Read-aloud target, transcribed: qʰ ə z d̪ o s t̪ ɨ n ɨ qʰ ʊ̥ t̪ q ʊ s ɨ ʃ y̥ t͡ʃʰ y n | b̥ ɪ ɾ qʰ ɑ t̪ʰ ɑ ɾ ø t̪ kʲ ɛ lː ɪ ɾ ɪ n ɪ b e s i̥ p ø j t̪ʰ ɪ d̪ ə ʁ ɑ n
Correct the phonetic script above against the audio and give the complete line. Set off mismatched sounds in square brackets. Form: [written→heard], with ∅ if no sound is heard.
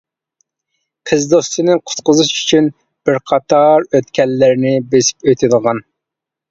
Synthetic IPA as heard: qʰ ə z d̪ o s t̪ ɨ n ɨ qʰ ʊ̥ t̪ q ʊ [s→z] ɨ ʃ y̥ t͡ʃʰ y n | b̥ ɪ ɾ qʰ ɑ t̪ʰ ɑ ɾ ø t̪ kʲ ɛ lː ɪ ɾ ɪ n ɪ b e s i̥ p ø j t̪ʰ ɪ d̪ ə ʁ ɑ n